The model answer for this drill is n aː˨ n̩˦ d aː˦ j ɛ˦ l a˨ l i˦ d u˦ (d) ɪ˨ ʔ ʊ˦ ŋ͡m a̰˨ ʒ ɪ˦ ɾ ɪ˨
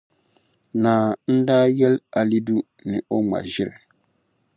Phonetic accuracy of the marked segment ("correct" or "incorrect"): incorrect